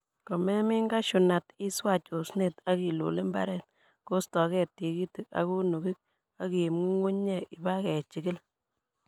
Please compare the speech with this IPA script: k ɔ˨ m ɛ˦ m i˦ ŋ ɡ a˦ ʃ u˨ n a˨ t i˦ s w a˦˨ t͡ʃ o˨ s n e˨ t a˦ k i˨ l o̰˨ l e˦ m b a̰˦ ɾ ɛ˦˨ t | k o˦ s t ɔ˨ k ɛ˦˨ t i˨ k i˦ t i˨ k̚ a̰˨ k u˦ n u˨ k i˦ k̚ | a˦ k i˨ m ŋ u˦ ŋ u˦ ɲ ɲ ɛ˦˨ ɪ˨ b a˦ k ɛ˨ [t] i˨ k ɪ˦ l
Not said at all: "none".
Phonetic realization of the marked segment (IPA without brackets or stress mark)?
t͡ʃ